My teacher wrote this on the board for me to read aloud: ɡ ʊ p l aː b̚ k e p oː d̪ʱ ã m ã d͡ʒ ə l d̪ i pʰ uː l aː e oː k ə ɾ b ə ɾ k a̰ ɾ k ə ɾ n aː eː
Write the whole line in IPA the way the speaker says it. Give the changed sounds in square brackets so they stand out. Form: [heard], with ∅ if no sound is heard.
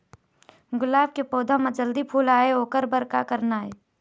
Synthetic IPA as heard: ɡ ʊ [∅] l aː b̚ k e p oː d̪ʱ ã m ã d͡ʒ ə l d̪ i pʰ uː l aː e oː k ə ɾ b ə ɾ k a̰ [∅] k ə ɾ n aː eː